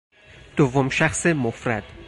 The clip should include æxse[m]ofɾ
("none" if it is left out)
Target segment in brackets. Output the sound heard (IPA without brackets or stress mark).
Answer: m